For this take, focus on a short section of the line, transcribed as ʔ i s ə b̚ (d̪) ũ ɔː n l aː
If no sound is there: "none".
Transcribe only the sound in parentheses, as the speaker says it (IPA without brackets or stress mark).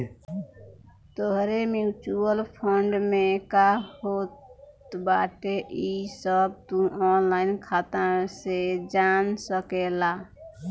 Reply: t̪